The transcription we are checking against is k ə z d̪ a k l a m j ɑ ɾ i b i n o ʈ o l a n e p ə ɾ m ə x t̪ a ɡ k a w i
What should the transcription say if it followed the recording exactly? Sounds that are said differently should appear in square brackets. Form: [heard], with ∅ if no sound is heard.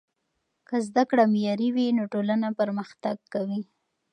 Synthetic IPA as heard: k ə z d̪ a k [ɽ] a m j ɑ ɾ i [w] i n o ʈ o l a n [a] p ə ɾ m ə x t̪ a ɡ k a w i